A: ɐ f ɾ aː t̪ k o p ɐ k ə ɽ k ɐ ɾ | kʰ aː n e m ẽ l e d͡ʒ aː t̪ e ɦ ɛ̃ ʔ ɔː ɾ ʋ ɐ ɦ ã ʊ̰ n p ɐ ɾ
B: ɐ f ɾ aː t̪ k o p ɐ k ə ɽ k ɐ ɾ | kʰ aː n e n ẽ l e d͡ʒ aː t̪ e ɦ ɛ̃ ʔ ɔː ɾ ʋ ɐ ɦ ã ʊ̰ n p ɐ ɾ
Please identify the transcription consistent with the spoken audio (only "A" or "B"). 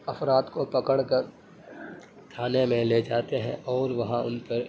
A